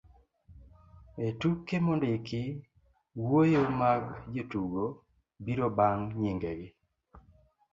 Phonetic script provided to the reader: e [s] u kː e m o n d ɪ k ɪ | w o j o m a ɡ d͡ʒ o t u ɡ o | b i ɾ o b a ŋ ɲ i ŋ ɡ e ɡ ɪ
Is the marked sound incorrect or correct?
incorrect